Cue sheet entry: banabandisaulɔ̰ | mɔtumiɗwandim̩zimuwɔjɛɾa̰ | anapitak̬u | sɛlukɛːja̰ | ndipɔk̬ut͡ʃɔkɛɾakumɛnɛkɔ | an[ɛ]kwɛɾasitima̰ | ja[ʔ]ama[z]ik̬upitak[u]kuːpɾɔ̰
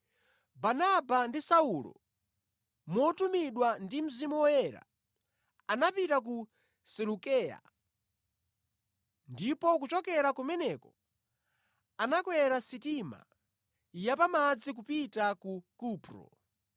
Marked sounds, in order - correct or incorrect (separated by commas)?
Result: incorrect, incorrect, incorrect, correct